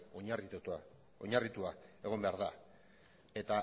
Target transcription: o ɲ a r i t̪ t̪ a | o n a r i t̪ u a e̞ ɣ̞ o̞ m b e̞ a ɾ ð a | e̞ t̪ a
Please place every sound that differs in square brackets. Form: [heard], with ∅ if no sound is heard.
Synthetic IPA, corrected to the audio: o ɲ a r i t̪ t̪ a | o [ɲ] a r i t̪ u a e̞ ɣ̞ o̞ m b e̞ a ɾ ð a | e̞ t̪ a